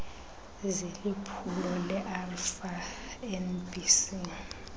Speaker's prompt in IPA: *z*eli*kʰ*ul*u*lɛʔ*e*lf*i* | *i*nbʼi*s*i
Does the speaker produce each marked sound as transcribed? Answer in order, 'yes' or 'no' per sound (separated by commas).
yes, no, no, no, no, no, yes